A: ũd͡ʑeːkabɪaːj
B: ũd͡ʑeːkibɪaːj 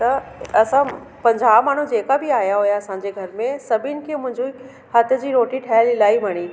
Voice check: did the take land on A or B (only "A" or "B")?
A